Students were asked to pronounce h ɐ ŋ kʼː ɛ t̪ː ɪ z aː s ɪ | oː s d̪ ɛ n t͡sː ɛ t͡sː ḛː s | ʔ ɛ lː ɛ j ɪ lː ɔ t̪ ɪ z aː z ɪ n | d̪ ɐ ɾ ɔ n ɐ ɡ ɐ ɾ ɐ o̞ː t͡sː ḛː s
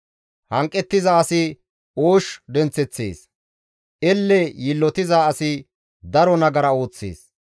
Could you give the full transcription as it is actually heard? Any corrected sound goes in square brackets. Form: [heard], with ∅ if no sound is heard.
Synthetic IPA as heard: h ɐ ŋ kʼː ɛ t̪ː ɪ z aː s ɪ | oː [ʃ] d̪ ɛ n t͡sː ɛ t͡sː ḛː s | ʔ ɛ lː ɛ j ɪ lː ɔ t̪ ɪ z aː [s] ɪ [∅] | d̪ ɐ ɾ ɔ n ɐ ɡ ɐ ɾ ɐ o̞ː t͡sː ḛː s